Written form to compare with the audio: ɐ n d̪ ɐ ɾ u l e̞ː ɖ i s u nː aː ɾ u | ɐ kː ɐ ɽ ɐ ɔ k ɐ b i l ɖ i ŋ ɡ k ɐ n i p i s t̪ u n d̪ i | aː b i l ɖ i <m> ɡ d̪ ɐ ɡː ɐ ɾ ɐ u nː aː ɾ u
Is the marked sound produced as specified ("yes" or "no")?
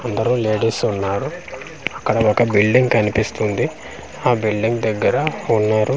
no